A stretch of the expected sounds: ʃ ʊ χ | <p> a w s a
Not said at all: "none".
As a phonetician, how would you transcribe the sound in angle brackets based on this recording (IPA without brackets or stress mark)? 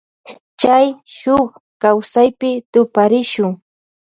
k